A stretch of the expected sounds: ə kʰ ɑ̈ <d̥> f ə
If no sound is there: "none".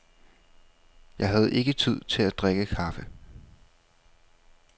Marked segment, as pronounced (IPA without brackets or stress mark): none